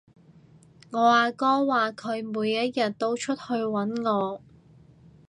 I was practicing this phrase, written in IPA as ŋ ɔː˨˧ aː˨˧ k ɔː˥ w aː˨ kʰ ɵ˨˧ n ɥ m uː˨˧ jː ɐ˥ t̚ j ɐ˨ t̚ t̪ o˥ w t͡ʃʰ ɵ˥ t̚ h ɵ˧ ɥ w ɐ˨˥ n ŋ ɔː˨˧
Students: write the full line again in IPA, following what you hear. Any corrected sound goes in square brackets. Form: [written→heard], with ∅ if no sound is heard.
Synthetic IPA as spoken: ŋ ɔː˨˧ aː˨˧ k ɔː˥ w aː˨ kʰ ɵ˨˧ [n→∅] ɥ m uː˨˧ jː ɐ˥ t̚ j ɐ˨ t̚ t̪ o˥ w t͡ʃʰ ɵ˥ t̚ h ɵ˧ ɥ w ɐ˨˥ n ŋ ɔː˨˧